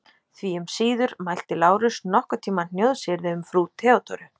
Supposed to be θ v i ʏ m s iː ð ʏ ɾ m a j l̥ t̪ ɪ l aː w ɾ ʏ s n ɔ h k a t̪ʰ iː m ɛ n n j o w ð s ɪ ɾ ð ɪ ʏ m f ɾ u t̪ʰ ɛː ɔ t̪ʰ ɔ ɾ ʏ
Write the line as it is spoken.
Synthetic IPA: θ v i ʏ m s iː ð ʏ ɾ m a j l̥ t̪ ɪ l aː w ɾ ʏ s n ɔ h k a t̪ʰ iː m a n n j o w ð s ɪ ɾ ð ɪ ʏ m f ɾ u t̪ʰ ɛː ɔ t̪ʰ ɔ ɾ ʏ